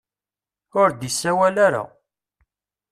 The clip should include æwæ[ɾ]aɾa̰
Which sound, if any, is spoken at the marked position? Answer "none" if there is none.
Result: l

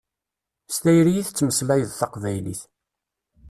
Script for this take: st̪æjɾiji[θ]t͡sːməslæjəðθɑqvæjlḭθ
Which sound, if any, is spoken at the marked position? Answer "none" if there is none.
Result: θ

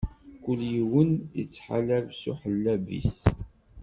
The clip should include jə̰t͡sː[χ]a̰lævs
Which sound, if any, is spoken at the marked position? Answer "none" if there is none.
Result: ħ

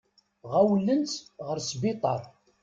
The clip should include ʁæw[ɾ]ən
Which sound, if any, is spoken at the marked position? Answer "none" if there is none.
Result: l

